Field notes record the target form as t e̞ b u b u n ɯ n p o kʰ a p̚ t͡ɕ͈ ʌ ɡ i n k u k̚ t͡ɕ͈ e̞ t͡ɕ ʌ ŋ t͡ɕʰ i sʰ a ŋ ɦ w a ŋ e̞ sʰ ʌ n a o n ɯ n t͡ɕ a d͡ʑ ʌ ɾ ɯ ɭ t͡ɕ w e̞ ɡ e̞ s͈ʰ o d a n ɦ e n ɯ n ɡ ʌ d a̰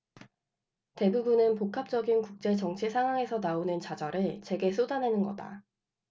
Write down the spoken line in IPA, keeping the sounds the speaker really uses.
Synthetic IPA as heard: t e̞ b u b u n ɯ n p o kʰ a p̚ t͡ɕ͈ ʌ ɡ i n k u k̚ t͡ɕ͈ e̞ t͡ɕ ʌ ŋ t͡ɕʰ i sʰ a ŋ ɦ w a ŋ e̞ sʰ ʌ n a o n ɯ n t͡ɕ a d͡ʑ ʌ ɾ ɯ ɭ t͡ɕ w e̞ ɡ e̞ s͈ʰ o d a n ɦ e n ɯ n ɡ ʌ d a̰